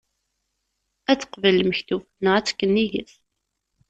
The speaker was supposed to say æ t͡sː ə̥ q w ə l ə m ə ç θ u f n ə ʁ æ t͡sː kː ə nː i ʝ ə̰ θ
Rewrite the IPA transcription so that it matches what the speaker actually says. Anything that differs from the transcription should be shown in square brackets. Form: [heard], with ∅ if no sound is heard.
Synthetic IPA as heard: æ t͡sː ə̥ q [v] ə l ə m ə ç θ u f n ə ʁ æ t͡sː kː ə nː i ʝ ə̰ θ